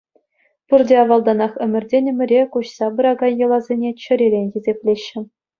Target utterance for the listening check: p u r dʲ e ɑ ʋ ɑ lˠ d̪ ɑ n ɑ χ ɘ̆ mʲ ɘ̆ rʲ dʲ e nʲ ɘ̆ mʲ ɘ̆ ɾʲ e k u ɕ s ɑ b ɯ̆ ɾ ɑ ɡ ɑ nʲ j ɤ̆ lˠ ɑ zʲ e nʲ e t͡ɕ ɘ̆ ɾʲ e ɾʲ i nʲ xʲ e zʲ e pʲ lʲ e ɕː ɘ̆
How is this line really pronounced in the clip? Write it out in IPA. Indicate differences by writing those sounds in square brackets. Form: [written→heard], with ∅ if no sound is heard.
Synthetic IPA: p u r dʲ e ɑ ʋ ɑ lˠ d̪ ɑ n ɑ χ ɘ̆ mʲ ɘ̆ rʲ dʲ e nʲ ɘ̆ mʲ ɘ̆ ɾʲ e k u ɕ s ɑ b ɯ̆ ɾ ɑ ɡ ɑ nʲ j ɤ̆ lˠ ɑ zʲ e nʲ e t͡ɕ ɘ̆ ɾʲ e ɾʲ [i→e] nʲ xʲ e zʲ e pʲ lʲ e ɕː ɘ̆